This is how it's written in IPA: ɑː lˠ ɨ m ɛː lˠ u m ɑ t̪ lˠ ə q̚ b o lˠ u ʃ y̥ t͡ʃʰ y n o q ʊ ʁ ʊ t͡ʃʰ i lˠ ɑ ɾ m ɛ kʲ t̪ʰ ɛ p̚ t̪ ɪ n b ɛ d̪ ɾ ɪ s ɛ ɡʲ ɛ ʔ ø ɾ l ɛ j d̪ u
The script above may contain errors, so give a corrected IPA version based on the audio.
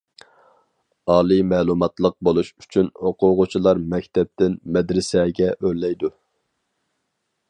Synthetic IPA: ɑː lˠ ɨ m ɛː lˠ u m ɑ t̪ lˠ ə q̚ b o lˠ u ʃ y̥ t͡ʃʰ y n o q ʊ ʁ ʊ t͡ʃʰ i lˠ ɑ ɾ m ɛ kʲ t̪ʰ ɛ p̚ t̪ ɪ n m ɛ d̪ ɾ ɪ s ɛ ɡʲ ɛ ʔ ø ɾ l ɛ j d̪ u